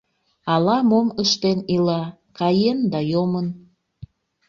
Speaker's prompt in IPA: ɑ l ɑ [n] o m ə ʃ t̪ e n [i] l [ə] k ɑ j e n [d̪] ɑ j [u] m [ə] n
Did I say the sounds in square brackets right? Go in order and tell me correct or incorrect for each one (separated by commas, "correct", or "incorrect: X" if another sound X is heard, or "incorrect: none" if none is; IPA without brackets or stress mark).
incorrect: m, correct, incorrect: ɑ, correct, incorrect: o, correct